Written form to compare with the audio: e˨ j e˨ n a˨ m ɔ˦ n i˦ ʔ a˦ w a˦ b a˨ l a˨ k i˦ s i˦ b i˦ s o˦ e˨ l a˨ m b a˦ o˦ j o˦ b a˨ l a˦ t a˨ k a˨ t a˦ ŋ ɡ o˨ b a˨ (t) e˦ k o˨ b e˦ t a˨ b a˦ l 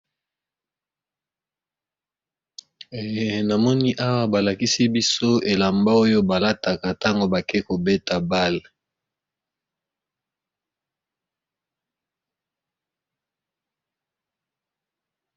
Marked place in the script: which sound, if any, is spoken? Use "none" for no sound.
k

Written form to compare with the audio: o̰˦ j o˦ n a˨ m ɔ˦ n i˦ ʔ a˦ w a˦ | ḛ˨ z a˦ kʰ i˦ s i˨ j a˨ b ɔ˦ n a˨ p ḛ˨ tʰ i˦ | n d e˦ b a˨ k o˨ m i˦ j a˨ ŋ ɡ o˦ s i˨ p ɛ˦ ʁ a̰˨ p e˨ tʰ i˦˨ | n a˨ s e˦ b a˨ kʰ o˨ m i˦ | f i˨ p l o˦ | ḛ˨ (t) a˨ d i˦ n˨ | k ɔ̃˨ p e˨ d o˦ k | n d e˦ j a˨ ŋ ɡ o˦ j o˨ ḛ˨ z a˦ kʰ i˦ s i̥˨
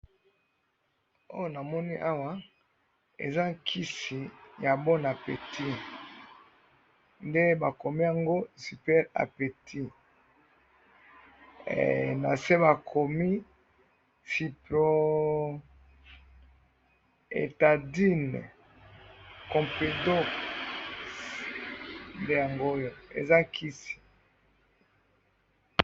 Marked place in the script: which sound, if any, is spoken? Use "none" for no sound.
t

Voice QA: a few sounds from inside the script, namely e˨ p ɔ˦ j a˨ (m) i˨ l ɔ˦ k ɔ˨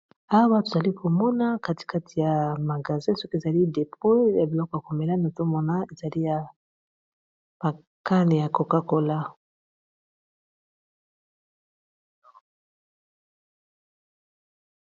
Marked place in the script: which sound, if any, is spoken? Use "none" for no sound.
b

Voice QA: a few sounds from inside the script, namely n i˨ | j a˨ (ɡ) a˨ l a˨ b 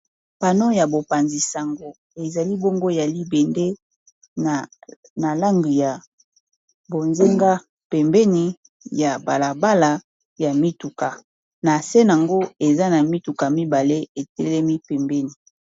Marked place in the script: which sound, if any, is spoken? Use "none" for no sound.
b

